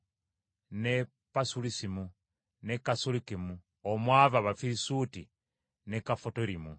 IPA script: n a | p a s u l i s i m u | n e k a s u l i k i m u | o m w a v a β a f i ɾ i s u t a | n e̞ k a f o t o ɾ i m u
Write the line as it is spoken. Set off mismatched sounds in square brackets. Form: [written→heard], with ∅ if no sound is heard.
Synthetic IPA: n [a→e] | p a s u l i s i m u | n e k a s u l i k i m u | o m w a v a β a f i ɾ i s u t [a→i] | n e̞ k a f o t o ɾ i m u